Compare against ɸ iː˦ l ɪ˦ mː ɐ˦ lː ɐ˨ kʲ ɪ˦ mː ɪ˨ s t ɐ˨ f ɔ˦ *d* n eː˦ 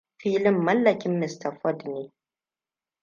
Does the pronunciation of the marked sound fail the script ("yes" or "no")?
no